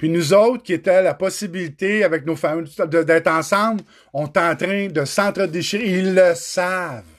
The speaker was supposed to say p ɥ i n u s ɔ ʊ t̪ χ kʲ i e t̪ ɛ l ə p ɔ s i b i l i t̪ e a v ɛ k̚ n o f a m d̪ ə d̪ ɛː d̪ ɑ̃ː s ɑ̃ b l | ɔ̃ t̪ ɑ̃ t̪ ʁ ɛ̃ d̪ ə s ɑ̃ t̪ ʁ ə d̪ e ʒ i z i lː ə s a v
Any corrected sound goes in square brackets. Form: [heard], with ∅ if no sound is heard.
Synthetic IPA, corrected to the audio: p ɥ i n u [z] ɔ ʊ t̪ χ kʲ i e t̪ ɛ l [a] p ɔ s i b i l i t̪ e a v ɛ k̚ n o f a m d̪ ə d̪ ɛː [t̪] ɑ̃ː s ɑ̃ b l | ɔ̃ t̪ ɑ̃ t̪ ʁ ɛ̃ d̪ ə s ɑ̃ t̪ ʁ ə d̪ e [ʃ] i [ʁ] i lː ə s a v